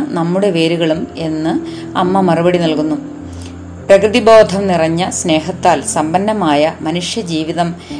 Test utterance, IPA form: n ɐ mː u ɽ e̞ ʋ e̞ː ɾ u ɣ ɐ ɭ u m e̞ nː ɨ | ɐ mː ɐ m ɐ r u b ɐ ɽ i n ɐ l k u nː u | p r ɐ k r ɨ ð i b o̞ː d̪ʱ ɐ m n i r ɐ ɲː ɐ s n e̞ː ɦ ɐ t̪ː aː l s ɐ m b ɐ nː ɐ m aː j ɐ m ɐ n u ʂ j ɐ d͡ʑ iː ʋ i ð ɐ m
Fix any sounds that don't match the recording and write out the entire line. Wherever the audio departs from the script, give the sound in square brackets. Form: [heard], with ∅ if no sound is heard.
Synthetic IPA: n ɐ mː u ɽ e̞ ʋ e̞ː ɾ u ɣ ɐ ɭ u m e̞ nː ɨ | ɐ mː ɐ m ɐ r u b ɐ ɽ i n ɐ l k u nː u | p r ɐ k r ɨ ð i b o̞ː d̪ʱ ɐ m n i r ɐ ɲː ɐ s n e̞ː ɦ ɐ t̪ː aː l s ɐ m b ɐ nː ɐ m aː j ɐ m ɐ n u ʂ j ɐ d͡ʑ iː ʋ i ð ɐ m